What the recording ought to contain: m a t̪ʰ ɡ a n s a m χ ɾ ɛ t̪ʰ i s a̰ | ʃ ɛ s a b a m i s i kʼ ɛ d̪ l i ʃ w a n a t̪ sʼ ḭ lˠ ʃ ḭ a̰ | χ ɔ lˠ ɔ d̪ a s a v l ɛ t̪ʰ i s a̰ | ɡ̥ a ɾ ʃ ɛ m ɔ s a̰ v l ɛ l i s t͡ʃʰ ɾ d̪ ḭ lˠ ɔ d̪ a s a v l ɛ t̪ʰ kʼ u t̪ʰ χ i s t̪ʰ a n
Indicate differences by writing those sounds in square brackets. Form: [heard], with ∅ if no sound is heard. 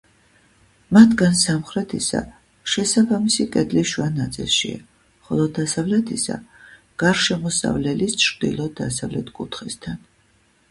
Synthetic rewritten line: m a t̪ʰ ɡ a n s a m χ ɾ ɛ t̪ʰ i s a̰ | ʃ ɛ s a b a m i s i kʼ ɛ d̪ l i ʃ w a n a t̪ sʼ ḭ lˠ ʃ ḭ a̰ | χ ɔ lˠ ɔ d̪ a s a v l ɛ t̪ʰ i s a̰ | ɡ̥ a ɾ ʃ ɛ m ɔ s a̰ v l ɛ l i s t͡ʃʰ ɾ d̪ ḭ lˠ ɔ d̪ a s a v l ɛ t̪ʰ kʼ u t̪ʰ χ i s t̪ʰ a n